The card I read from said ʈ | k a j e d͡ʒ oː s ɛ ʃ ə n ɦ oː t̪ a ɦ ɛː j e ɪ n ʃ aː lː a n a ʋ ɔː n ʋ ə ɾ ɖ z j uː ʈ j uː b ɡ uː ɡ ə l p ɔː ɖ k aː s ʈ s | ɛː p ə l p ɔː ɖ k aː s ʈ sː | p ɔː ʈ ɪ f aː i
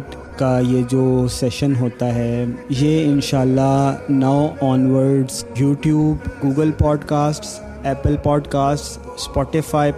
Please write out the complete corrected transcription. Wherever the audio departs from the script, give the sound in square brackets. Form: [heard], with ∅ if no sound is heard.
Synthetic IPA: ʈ | k a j e d͡ʒ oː s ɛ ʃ ə n ɦ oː t̪ a ɦ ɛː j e ɪ n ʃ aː lː a n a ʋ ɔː n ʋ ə ɾ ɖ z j uː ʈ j uː b ɡ uː ɡ ə l p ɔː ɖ k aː s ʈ s | ɛː p ə l p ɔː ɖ k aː s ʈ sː | p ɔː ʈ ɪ f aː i